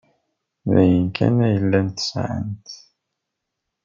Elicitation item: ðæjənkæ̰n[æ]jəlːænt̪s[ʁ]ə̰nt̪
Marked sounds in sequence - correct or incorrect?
correct, incorrect: ʕ

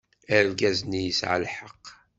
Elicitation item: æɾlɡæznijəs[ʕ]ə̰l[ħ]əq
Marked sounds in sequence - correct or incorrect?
correct, correct

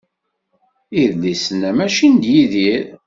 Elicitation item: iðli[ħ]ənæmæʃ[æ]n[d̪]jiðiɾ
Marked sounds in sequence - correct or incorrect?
incorrect: s, incorrect: i, correct

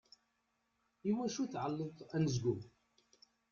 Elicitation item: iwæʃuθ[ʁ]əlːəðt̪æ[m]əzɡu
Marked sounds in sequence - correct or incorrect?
incorrect: ʕ, incorrect: n

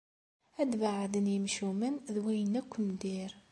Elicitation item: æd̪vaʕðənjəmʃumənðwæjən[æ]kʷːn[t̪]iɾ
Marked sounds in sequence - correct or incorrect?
correct, incorrect: d̪

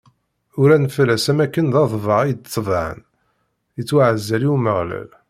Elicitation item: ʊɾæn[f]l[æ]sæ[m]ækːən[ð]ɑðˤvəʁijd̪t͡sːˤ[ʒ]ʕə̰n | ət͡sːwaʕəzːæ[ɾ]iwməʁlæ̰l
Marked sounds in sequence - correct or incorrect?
correct, correct, correct, correct, incorrect: v, incorrect: l

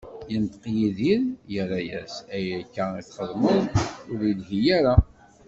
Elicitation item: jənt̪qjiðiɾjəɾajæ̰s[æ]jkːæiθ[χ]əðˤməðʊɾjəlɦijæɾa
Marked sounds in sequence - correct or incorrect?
correct, correct

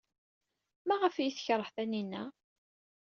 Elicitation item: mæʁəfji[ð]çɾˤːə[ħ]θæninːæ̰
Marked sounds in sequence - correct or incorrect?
incorrect: θ, correct

